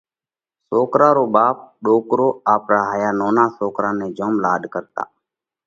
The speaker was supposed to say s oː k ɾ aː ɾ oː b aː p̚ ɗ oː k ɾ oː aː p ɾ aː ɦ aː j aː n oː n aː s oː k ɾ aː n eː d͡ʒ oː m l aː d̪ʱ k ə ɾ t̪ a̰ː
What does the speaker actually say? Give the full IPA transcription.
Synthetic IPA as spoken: s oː k ɾ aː ɾ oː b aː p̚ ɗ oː k ɾ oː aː p ɾ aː ɦ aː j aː n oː n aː s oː k ɾ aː n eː d͡ʒ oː m l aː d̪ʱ k ə ɾ t̪ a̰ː